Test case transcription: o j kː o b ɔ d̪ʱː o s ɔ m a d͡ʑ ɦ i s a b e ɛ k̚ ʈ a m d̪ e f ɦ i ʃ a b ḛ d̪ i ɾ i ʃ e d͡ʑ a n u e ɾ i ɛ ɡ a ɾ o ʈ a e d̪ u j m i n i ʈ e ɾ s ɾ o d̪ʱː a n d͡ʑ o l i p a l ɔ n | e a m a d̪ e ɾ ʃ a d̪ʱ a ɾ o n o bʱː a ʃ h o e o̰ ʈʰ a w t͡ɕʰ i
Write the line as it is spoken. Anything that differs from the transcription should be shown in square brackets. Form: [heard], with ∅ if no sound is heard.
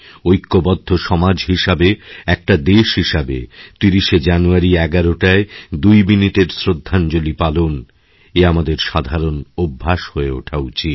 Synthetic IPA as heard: o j kː o b ɔ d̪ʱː o [ʃ] ɔ m a d͡ʑ ɦ i [ʃ] a b e ɛ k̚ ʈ a [∅] d̪ e [ʃ] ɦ i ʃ a b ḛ [t̪] i ɾ i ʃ e d͡ʑ a n u [a] ɾ i ɛ ɡ a ɾ o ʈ a e d̪ u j m i n i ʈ e ɾ s ɾ o d̪ʱː a n d͡ʑ o l i p a l [o] n | e a m a d̪ e ɾ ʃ a d̪ʱ a ɾ o n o bʱː a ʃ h o e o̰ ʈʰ a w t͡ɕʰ i